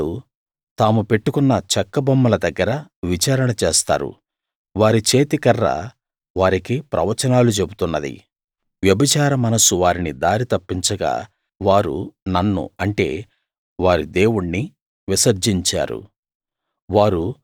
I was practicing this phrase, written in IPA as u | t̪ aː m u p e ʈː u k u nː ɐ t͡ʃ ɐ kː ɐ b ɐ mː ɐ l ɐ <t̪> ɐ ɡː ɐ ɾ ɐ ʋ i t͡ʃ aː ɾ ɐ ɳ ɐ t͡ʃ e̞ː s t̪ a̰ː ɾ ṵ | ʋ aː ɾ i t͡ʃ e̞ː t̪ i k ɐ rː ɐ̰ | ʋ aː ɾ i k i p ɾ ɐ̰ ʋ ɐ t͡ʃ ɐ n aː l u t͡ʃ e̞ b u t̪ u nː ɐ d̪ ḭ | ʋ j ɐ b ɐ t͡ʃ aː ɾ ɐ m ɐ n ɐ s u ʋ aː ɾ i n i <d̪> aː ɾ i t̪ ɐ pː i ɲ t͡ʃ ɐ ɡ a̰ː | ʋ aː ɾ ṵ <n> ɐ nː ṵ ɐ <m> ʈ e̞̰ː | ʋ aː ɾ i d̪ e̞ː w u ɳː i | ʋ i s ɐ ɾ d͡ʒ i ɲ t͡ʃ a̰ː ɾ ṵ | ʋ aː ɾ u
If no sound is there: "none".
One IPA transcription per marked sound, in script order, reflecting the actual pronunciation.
d̪, d̪, n, ɳ

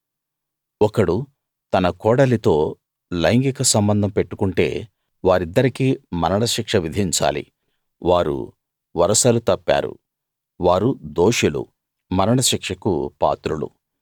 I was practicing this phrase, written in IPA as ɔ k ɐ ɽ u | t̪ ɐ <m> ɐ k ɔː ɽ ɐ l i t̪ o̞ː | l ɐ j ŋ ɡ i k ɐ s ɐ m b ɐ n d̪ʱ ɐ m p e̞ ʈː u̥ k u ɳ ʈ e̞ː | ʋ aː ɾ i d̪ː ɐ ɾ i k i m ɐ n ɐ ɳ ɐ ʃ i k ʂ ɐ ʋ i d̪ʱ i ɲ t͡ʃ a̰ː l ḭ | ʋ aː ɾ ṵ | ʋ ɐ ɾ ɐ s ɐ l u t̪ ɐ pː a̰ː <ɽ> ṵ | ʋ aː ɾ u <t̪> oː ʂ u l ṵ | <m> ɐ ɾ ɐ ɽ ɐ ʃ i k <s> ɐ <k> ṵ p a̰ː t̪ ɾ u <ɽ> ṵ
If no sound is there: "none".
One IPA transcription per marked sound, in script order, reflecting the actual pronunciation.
n, ɾ, d̪, m, ʂ, k, l

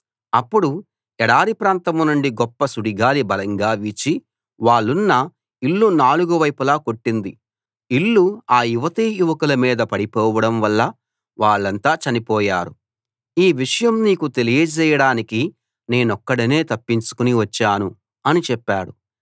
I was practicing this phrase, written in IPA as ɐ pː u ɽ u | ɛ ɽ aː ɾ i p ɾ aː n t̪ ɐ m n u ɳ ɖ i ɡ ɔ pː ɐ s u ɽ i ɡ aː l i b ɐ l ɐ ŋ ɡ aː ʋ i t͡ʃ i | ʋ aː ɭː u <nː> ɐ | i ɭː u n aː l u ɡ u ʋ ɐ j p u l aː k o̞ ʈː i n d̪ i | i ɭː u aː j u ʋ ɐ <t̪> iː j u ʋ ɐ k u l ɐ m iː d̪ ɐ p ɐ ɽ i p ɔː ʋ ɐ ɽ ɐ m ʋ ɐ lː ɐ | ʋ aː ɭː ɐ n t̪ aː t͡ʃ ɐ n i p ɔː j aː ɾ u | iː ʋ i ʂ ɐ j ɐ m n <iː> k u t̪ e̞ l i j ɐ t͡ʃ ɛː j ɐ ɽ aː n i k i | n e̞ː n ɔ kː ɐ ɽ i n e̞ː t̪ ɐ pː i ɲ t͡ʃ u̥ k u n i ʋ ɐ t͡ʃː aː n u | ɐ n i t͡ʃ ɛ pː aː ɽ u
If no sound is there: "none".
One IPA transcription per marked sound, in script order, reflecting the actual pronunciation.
nː, t̪, iː

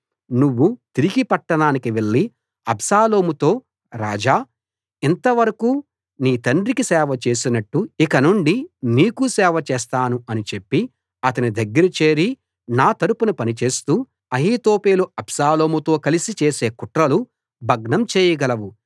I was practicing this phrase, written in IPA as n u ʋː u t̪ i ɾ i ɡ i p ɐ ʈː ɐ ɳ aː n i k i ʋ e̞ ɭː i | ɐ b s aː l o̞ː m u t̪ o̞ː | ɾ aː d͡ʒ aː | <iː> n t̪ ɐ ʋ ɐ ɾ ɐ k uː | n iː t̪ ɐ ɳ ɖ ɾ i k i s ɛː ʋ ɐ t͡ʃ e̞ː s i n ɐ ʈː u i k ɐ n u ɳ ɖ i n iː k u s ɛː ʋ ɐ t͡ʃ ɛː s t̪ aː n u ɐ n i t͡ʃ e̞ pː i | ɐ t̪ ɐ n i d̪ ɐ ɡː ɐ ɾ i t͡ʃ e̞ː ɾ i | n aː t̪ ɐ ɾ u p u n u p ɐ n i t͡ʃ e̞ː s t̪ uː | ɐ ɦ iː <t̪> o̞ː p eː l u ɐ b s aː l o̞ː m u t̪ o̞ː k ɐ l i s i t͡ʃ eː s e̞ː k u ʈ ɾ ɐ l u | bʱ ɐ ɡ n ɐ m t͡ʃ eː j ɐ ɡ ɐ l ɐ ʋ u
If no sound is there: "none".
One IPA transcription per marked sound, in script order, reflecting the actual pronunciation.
i, t̪

